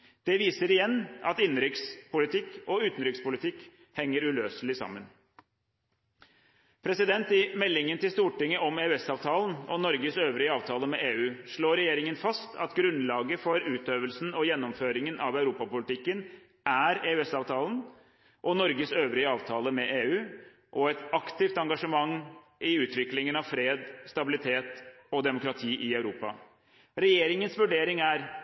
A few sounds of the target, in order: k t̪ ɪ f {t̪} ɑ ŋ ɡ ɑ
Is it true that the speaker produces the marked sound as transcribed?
yes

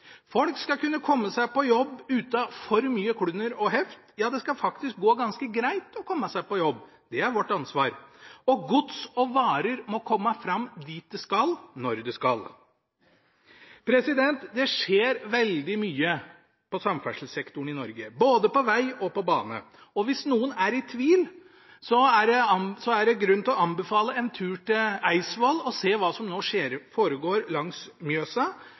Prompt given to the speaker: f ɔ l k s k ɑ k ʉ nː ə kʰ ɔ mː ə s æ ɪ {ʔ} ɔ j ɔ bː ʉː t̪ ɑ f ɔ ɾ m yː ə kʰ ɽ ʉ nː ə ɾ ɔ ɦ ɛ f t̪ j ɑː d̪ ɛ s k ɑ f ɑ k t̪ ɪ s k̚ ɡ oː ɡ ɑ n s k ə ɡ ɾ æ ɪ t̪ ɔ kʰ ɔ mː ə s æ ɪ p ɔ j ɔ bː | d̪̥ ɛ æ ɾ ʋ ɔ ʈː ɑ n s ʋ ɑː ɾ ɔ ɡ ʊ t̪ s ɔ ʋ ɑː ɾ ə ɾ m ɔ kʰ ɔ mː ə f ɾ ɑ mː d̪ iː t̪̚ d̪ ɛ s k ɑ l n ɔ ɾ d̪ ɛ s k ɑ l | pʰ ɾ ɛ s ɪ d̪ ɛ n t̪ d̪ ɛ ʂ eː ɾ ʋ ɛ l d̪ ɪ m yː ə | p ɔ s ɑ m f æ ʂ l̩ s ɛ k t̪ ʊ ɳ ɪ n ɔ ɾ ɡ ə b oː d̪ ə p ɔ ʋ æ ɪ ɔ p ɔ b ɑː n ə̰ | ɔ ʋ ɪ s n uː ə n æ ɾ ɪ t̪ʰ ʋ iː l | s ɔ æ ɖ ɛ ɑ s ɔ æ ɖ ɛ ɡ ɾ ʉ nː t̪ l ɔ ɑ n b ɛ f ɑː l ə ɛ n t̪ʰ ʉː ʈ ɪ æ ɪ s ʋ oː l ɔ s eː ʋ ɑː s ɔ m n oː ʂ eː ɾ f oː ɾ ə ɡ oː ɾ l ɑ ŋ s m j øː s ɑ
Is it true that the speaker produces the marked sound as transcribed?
no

